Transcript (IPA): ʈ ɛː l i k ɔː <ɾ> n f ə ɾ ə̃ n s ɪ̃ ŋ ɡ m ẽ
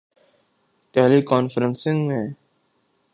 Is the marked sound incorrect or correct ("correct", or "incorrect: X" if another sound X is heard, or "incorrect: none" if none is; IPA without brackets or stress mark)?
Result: incorrect: none